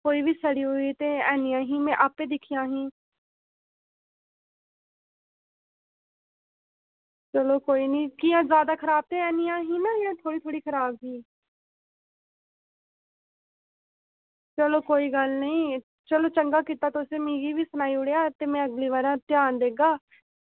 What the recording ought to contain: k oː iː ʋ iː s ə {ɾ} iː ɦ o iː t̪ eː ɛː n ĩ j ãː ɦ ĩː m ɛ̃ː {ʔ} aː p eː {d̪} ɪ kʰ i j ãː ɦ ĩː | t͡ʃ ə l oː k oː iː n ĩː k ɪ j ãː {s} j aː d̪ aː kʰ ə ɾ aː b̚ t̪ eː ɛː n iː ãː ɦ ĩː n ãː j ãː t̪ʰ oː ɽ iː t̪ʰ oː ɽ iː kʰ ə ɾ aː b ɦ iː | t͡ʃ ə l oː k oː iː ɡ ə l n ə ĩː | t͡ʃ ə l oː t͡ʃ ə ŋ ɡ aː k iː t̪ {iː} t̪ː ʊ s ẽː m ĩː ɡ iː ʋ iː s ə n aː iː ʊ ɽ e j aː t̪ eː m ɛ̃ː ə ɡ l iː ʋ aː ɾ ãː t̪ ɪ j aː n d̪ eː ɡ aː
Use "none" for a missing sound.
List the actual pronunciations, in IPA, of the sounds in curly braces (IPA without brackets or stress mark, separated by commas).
ɽ, ʔ, d̪, z, aː